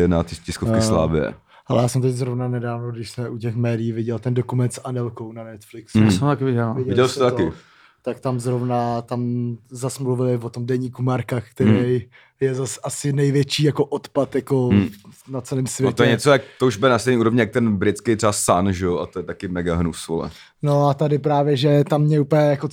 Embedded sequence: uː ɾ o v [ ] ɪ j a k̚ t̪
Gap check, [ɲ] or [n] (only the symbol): ɲ